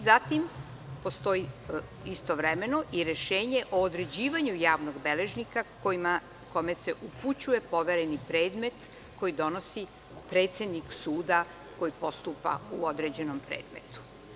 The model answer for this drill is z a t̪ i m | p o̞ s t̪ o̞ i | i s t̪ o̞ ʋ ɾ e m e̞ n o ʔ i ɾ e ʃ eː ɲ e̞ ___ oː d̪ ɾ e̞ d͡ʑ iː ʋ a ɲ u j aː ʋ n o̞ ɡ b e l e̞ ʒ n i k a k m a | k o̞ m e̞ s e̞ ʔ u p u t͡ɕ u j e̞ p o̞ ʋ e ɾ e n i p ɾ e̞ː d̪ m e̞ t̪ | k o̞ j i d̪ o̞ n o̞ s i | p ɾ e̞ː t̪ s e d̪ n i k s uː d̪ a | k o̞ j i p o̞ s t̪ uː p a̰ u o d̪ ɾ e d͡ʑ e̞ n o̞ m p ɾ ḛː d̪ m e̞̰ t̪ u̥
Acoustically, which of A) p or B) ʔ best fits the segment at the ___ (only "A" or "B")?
B